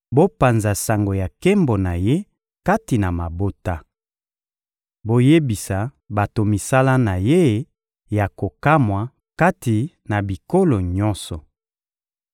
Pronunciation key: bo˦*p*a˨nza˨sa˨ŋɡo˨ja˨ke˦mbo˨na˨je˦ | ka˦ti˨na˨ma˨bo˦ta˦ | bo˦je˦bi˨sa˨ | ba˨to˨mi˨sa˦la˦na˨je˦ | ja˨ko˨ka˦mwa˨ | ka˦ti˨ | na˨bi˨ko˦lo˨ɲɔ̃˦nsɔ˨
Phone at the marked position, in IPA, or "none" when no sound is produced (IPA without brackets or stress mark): p